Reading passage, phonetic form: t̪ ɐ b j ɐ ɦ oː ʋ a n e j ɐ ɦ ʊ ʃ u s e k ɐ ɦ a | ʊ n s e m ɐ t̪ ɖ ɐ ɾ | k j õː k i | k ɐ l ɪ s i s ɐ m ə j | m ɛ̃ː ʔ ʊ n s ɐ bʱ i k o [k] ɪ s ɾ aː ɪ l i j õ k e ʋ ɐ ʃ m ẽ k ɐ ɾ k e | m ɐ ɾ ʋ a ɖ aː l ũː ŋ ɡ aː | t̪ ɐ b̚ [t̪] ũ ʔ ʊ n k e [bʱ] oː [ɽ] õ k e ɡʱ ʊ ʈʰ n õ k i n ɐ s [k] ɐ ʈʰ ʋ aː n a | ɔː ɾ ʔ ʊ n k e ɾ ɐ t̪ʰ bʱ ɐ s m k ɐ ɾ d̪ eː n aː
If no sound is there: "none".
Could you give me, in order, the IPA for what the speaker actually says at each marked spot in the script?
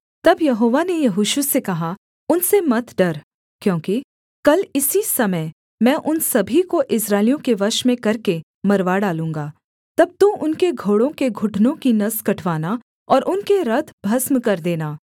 ʔ, t̪, ɡʱ, ɽ, k

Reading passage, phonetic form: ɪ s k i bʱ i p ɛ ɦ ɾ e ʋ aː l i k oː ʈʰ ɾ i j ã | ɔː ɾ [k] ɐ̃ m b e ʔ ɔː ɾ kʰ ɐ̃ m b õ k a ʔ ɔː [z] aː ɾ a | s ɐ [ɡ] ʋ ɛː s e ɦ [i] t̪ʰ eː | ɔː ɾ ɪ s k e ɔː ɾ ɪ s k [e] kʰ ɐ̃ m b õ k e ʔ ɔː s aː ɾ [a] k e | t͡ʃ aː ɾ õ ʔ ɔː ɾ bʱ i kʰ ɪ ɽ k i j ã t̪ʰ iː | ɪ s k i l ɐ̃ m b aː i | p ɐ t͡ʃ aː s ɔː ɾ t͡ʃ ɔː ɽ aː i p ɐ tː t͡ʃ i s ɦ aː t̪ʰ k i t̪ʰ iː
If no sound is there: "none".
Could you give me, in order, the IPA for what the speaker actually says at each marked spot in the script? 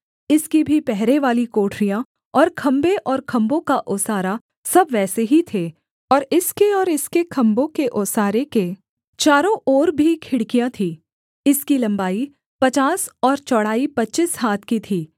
kʰ, s, b, i, e, e

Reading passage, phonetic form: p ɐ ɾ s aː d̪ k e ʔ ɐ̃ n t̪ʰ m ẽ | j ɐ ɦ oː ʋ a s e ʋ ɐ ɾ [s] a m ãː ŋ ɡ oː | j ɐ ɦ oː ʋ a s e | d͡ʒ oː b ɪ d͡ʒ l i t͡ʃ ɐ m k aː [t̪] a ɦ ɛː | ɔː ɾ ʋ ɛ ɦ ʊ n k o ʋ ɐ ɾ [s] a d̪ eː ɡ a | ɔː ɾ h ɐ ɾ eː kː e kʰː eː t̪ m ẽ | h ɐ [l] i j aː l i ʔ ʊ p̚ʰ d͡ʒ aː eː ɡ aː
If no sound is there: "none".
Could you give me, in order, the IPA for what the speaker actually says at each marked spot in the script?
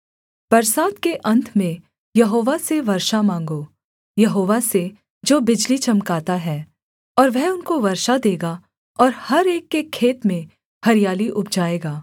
ʃ, t̪, ʃ, ɾ

